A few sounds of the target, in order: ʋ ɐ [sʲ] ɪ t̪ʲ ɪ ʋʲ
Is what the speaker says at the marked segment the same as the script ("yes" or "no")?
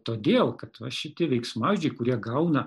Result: no